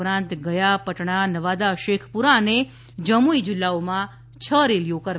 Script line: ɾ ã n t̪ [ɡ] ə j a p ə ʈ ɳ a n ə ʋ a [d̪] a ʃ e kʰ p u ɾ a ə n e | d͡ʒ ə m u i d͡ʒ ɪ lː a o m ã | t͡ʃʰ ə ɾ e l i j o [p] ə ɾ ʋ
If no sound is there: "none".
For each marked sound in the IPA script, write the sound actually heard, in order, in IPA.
ɡ, d̪, k

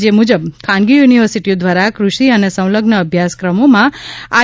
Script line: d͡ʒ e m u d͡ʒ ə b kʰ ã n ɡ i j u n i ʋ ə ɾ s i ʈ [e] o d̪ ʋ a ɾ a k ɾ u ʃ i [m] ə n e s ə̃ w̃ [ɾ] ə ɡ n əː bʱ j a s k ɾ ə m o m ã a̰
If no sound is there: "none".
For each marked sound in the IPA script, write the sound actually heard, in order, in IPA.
i, none, l

